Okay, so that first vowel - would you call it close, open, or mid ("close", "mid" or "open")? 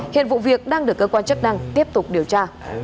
close